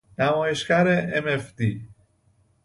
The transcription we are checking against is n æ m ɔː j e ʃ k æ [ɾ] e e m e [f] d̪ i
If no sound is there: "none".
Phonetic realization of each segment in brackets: ɾ, f

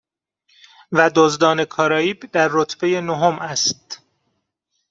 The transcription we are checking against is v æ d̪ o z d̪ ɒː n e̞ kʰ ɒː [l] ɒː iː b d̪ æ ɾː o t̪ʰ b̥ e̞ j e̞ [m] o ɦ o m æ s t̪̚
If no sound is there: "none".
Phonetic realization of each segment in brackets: ɾ, n

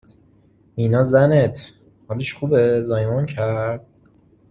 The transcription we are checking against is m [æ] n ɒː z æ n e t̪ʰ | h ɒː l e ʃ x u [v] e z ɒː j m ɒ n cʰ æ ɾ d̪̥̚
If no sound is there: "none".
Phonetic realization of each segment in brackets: i, b

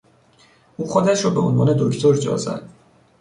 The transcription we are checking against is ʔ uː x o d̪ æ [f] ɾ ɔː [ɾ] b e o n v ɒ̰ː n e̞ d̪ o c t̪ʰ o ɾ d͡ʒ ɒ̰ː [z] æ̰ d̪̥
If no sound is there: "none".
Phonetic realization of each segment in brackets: ʃ, none, z

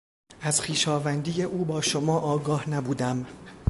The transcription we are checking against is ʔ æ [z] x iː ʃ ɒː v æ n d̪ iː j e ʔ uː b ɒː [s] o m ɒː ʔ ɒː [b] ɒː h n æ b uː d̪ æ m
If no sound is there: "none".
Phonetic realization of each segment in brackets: z, ʃ, ɡ

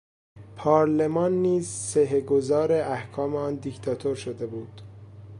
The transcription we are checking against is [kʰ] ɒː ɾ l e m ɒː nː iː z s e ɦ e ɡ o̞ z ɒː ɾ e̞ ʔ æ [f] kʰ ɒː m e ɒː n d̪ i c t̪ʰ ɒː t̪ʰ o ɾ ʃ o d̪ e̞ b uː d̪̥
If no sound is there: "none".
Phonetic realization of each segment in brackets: pʰ, h

